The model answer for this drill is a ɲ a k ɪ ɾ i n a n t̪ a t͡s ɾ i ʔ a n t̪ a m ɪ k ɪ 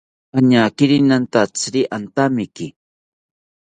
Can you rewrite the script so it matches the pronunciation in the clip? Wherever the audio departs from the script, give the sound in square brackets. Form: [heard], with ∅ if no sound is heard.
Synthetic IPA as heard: a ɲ a k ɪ ɾ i n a n t̪ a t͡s ɾ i ʔ a n t̪ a m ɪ k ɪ